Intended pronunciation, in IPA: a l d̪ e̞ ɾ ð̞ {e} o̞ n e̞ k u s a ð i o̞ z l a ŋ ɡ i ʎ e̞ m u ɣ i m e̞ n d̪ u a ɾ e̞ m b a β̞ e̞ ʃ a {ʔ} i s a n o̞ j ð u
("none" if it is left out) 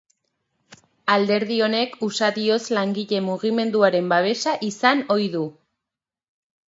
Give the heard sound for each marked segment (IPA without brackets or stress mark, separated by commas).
i, ʔ